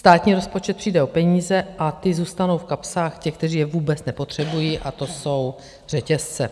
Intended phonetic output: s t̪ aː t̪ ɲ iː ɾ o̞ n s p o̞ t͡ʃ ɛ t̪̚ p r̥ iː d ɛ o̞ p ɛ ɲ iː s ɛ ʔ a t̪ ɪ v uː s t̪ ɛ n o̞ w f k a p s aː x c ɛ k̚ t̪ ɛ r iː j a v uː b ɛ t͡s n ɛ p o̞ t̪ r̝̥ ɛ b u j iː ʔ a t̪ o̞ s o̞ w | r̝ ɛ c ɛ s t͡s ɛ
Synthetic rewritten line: s t̪ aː t̪ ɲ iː ɾ o̞ s p o̞ t͡ʃ ɛ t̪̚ p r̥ iː d ɛ o̞ p ɛ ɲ iː z ɛ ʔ a t̪ ɪ z uː s t̪ a n o̞ w f k a p s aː x c ɛ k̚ t̪ ɛ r iː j ɛ v uː b ɛ t͡s n ɛ p o̞ t̪ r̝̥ ɛ b u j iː ʔ a t̪ o̞ s o̞ w | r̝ ɛ c ɛ s t͡s ɛ